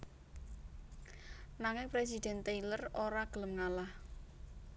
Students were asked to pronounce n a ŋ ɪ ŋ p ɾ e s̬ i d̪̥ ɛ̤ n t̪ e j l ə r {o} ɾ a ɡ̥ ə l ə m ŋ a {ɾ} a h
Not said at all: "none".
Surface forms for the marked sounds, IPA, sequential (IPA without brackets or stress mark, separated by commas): o, l